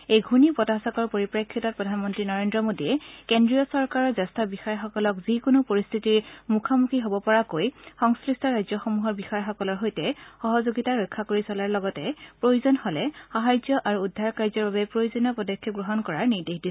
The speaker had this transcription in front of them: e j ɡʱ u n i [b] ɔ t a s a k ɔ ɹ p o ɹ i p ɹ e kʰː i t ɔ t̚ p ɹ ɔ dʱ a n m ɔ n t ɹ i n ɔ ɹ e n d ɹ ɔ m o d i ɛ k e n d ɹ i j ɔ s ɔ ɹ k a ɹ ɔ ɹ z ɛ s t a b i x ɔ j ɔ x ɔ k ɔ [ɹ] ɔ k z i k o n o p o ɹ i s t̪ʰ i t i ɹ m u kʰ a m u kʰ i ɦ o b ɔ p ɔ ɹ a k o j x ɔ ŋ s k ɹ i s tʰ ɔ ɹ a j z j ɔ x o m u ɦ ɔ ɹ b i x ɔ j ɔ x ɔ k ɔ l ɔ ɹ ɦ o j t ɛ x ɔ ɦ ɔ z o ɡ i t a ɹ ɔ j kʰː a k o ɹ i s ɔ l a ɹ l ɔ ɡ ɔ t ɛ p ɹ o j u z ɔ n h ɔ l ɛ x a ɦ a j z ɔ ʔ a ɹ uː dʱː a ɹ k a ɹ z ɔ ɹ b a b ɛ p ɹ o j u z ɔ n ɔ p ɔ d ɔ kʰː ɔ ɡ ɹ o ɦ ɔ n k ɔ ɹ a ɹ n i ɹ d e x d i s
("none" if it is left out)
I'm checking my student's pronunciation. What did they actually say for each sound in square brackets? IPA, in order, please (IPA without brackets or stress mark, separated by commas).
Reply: p, l